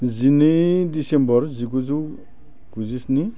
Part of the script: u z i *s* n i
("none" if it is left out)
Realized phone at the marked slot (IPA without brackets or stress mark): s